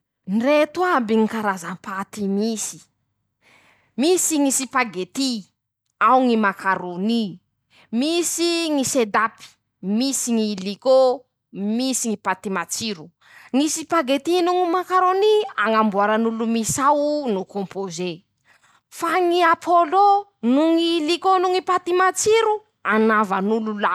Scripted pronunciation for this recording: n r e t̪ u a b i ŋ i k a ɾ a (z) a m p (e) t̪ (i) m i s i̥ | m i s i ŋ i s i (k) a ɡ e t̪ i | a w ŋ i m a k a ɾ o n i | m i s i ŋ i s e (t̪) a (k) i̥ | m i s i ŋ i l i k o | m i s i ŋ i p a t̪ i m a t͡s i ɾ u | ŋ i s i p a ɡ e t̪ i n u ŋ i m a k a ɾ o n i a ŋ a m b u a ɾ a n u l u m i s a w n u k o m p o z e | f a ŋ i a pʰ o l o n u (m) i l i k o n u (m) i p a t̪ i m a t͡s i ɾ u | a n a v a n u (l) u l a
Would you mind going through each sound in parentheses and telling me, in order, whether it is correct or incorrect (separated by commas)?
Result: correct, incorrect, correct, incorrect, incorrect, incorrect, incorrect, incorrect, correct